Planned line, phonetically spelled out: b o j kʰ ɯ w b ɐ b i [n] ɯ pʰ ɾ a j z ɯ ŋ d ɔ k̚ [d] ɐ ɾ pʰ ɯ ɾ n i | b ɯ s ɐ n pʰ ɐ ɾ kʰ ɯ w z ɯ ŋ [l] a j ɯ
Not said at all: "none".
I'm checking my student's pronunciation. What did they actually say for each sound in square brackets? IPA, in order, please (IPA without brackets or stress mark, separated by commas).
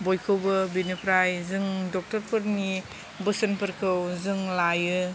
n, t, l